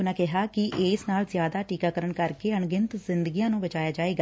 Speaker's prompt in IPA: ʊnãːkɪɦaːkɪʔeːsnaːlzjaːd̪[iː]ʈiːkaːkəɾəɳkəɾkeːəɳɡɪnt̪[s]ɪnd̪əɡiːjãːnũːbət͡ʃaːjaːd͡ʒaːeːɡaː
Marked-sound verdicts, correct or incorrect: incorrect: aː, incorrect: z

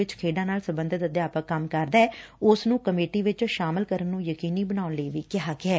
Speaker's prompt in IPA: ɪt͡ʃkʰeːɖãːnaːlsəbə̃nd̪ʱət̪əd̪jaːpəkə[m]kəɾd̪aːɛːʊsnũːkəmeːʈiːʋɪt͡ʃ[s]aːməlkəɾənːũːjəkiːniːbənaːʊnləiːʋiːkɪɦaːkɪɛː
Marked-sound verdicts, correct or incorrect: correct, incorrect: ʃ

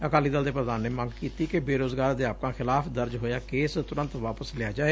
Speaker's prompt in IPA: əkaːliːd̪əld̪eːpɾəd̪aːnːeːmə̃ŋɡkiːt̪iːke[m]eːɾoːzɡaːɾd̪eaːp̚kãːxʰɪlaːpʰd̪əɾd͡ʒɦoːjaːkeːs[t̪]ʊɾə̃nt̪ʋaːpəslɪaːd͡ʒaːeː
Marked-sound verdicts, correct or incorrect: incorrect: b, correct

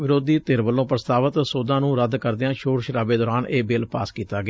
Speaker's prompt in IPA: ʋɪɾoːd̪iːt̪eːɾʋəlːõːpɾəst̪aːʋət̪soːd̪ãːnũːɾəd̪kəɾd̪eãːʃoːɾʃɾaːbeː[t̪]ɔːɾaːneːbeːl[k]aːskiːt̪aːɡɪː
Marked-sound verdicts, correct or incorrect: incorrect: d̪, incorrect: p

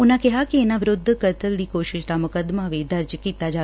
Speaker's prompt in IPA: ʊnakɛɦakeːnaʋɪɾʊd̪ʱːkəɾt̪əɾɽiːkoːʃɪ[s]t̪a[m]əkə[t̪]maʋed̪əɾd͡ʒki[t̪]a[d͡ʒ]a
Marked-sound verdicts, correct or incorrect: incorrect: ʃ, correct, incorrect: d̪, correct, correct

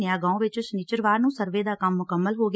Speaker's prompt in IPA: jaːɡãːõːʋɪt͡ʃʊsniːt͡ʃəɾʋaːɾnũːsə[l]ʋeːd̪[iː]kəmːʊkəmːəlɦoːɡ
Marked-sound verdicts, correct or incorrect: incorrect: ɾ, incorrect: aː

